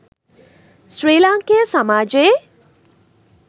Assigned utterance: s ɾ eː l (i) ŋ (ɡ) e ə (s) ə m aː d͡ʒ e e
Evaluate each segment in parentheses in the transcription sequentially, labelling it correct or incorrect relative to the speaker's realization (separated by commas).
incorrect, incorrect, correct